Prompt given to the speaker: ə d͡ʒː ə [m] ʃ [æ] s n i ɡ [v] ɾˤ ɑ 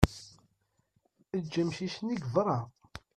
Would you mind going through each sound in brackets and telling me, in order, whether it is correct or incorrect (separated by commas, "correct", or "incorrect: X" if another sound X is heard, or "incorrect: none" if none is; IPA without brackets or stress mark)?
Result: correct, incorrect: i, correct